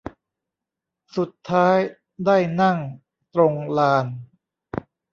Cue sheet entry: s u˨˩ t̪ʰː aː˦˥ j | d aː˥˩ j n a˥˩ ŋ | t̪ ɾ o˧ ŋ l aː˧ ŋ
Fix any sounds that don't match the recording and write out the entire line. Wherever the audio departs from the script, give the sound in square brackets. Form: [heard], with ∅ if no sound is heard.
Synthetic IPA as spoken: s u˨˩ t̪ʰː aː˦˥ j | d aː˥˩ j n a˥˩ ŋ | t̪ ɾ o˧ ŋ l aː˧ [n]